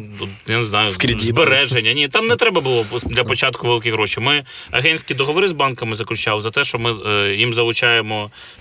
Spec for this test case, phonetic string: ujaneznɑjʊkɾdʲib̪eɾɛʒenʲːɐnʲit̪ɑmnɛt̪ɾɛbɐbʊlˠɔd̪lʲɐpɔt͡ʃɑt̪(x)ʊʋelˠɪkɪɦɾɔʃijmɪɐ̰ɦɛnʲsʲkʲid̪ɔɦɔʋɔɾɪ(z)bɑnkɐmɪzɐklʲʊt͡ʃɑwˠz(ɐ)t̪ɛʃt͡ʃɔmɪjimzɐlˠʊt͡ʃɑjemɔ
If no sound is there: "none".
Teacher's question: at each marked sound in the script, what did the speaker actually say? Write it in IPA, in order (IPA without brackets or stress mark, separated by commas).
k, z, ɐ